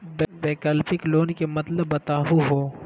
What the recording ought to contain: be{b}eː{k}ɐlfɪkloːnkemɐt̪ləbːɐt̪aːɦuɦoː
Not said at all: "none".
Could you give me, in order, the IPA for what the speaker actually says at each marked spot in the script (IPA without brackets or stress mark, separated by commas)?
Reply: b, k